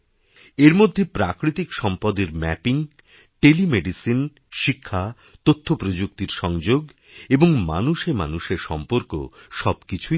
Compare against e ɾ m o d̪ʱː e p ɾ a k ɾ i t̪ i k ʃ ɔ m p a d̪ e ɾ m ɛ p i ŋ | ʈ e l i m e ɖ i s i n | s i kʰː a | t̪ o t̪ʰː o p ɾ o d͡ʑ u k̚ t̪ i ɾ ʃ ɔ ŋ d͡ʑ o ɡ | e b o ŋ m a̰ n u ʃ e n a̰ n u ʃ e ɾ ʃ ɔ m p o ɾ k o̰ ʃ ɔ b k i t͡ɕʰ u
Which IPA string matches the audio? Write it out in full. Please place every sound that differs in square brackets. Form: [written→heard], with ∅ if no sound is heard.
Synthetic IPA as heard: e ɾ m o d̪ʱː e p ɾ a k ɾ i t̪ i k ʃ ɔ m p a d̪ e ɾ m ɛ p i ŋ | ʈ e l i m e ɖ i s i n | [s→ʃ] i kʰː a | t̪ o t̪ʰː o p ɾ o d͡ʑ u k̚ t̪ i ɾ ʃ ɔ ŋ d͡ʑ o ɡ | e b o ŋ m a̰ n u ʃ e [n→m] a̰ n u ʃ e ɾ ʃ ɔ m p o ɾ k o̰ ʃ ɔ b k i t͡ɕʰ u